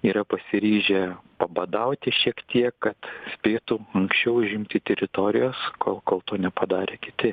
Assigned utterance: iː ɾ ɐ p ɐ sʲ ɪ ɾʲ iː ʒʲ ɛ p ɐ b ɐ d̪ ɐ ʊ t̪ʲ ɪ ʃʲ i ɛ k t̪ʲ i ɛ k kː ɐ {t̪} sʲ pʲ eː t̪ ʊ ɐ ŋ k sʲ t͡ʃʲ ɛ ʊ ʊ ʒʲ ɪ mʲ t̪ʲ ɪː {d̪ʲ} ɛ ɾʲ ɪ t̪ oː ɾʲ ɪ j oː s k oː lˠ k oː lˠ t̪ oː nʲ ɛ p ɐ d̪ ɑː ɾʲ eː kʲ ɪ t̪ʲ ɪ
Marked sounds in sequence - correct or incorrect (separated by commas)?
correct, incorrect